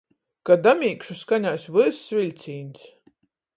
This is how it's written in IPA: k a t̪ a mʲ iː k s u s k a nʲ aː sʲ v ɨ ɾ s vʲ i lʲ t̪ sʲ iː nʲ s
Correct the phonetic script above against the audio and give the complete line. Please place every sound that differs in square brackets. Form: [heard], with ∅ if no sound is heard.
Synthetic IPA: k a [d̪] a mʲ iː k [ʃ] u s k a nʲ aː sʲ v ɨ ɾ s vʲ i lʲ t̪ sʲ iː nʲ s